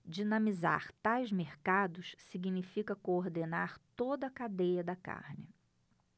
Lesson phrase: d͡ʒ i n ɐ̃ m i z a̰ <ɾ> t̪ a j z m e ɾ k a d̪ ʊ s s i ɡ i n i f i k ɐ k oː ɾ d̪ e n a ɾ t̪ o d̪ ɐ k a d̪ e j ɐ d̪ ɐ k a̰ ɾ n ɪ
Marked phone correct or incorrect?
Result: correct